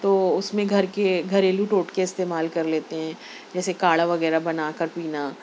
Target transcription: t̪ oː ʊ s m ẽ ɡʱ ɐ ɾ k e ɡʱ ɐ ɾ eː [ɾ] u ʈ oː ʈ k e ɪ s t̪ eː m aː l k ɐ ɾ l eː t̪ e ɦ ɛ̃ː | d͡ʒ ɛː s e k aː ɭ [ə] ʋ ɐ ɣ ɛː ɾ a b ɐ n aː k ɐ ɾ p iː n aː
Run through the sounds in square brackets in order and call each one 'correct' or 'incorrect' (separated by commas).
incorrect, incorrect